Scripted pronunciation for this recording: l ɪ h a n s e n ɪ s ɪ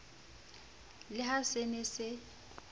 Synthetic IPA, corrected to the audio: l ɪ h a s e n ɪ s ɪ